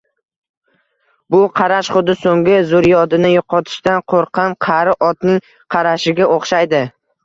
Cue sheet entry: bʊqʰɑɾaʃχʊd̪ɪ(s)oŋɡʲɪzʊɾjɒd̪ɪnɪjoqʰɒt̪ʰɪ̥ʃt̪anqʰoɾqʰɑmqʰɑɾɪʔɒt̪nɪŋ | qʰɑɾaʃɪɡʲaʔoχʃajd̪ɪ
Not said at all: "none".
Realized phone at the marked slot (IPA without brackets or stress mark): s